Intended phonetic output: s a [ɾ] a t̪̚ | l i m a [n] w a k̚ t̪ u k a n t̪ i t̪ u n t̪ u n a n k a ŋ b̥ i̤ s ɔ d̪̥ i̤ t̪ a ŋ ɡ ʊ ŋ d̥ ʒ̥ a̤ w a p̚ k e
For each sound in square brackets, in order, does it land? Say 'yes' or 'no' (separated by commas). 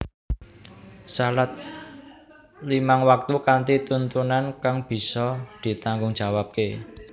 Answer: no, no